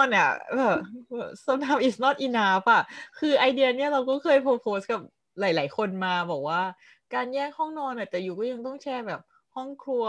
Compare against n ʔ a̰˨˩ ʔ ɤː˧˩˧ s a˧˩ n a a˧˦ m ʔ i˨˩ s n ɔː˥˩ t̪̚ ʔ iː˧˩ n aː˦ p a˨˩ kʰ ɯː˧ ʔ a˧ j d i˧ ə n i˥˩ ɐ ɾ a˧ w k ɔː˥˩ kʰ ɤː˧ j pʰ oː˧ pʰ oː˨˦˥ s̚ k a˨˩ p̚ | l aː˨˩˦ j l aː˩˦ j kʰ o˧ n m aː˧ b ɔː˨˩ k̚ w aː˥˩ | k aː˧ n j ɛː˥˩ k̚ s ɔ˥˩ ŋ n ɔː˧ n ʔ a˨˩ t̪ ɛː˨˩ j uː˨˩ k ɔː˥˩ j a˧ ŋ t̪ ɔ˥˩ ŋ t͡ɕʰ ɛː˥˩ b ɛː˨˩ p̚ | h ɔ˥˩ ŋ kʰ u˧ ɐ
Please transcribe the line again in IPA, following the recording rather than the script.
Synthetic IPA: n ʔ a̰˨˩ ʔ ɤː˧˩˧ s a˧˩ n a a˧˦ m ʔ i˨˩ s n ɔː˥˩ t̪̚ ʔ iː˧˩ n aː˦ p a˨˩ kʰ ɯː˧ ʔ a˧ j d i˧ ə n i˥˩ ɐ ɾ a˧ w k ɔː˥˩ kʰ ɤː˧ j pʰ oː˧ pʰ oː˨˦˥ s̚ k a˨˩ p̚ | l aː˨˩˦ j l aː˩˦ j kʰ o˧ n m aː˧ b ɔː˨˩ k̚ w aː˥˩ | k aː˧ n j ɛː˥˩ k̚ h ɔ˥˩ ŋ n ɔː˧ n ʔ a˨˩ t̪ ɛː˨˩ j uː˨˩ k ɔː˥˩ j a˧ ŋ t̪ ɔ˥˩ ŋ t͡ɕʰ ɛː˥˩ b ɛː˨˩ p̚ | h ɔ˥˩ ŋ kʰ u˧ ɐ